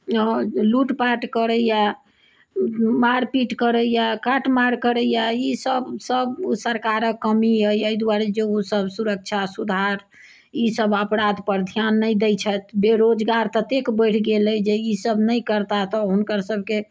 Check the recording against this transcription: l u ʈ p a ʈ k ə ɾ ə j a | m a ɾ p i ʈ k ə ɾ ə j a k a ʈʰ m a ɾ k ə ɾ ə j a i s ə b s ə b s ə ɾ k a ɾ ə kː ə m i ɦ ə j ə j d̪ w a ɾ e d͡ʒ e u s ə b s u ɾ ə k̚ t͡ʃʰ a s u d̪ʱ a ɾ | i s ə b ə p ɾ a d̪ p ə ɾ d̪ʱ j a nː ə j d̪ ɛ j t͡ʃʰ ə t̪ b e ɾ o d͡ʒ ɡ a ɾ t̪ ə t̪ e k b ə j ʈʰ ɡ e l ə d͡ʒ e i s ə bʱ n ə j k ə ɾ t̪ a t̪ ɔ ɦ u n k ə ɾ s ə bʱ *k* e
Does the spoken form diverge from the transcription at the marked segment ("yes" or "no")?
no